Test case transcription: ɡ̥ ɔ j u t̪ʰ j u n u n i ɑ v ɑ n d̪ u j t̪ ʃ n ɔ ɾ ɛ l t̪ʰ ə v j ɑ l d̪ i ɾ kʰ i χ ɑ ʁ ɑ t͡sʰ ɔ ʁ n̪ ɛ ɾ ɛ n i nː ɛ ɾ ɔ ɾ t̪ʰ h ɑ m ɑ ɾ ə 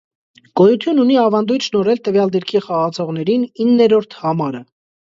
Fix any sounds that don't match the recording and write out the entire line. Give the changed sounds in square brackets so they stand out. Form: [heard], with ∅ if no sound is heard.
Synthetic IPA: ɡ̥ ɔ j u t̪ʰ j u n u n i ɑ v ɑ n d̪ u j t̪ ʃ n ɔ ɾ ɛ l [t̪] ə v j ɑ l d̪ i ɾ kʰ i χ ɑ ʁ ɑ t͡sʰ ɔ ʁ n̪ ɛ ɾ [i] n i nː ɛ ɾ ɔ ɾ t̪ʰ h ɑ m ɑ ɾ ə